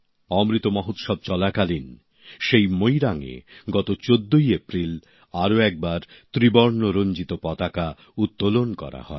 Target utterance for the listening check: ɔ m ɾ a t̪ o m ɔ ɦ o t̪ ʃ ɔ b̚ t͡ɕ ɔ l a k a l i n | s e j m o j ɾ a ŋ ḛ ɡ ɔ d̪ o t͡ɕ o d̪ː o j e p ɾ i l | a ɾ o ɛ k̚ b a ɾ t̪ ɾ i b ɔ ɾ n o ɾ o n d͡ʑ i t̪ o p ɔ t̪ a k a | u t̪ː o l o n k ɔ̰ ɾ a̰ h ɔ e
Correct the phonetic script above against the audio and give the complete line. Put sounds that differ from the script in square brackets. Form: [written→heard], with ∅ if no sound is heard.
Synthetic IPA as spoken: ɔ m ɾ [a→i] t̪ o m ɔ ɦ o t̪ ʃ ɔ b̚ t͡ɕ ɔ l a k a l i n | [s→ʃ] e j m o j ɾ a ŋ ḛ ɡ ɔ [d̪→t̪] o t͡ɕ o d̪ː o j e p ɾ i l | a ɾ o ɛ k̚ b a ɾ t̪ ɾ i b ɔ ɾ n o ɾ o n d͡ʑ i t̪ o p ɔ t̪ a k a | u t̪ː o l o n k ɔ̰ ɾ a̰ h ɔ e